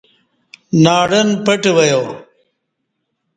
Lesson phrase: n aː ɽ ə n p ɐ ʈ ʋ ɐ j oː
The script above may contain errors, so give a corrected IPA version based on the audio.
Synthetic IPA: n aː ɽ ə n p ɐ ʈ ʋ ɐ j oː